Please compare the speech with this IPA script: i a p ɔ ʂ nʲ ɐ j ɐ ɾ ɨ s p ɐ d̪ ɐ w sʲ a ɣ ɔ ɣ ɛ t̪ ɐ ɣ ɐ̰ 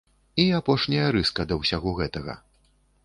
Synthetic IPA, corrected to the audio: i a p ɔ ʂ nʲ ɐ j ɐ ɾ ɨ s k ɐ d̪ ɐ w sʲ a ɣ ɔ ɣ ɛ t̪ ɐ ɣ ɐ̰